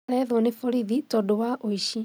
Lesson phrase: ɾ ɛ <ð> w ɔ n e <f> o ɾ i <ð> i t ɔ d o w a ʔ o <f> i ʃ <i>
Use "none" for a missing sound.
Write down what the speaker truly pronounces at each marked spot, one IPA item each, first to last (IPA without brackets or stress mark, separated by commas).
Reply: ð, f, ð, none, i